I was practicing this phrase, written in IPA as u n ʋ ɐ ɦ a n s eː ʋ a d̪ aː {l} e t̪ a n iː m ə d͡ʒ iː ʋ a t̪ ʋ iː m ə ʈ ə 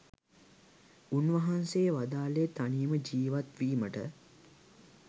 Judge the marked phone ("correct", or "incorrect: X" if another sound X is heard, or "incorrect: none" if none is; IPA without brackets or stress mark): correct